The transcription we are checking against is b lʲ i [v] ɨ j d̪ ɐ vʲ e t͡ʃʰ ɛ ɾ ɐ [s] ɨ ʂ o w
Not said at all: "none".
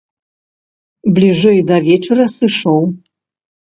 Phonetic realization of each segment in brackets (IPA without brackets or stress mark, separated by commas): ʐ, s